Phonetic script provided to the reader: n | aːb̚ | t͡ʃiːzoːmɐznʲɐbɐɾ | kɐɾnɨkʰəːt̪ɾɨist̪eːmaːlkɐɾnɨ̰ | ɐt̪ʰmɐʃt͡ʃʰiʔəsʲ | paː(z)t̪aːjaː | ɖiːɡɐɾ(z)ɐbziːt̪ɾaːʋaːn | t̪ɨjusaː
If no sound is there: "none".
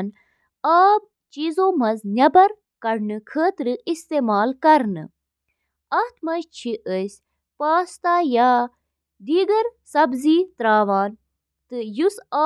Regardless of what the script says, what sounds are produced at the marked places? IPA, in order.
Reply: s, s

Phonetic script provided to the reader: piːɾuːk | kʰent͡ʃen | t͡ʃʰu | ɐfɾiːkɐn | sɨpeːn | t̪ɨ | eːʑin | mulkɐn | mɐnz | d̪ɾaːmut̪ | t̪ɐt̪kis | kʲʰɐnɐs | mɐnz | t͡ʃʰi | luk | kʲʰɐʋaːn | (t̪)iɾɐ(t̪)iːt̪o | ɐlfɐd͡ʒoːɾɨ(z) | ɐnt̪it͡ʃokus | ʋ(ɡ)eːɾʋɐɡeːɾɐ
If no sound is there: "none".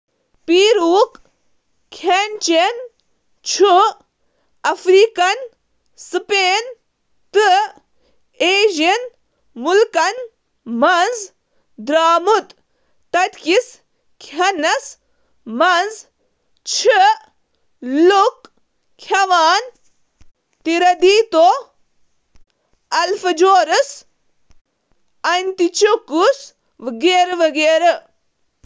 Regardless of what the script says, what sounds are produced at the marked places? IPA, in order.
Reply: t̪, d̪, s, ɡ

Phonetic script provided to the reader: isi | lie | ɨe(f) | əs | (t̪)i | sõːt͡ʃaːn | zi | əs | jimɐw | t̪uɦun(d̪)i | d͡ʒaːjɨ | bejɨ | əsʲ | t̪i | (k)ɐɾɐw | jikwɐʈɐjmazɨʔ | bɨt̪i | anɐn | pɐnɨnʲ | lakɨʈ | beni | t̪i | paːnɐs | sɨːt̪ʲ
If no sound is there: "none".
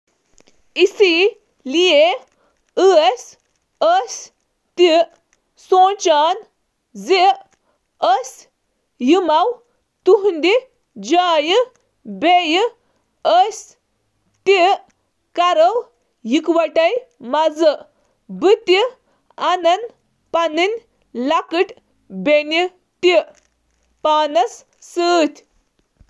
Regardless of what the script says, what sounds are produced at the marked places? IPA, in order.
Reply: s, t̪, d̪, k

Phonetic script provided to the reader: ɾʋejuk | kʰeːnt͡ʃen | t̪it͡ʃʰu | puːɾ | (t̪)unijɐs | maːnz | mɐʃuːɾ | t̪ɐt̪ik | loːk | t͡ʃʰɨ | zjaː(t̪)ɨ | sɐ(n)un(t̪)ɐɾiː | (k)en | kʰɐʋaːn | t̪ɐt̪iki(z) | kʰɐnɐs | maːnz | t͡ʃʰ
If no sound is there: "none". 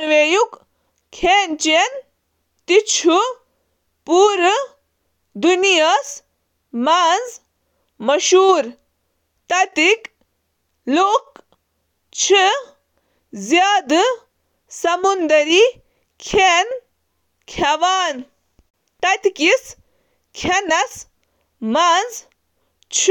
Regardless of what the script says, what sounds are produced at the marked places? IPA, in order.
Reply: d̪, d̪, m, d̪, kʰ, s

